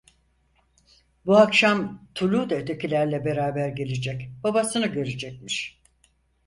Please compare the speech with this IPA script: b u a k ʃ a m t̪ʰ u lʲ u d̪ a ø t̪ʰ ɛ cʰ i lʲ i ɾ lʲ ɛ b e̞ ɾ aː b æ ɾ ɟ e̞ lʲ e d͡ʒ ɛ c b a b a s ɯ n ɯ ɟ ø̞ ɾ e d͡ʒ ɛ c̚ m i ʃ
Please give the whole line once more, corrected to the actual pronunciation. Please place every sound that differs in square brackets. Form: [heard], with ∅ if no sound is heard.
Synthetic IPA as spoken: b u a k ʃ a m t̪ʰ u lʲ u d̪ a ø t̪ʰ [e] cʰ i lʲ [æ] ɾ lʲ ɛ b e̞ ɾ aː b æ ɾ ɟ e̞ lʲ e d͡ʒ ɛ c b a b a s ɯ n ɯ ɟ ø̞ ɾ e d͡ʒ ɛ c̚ m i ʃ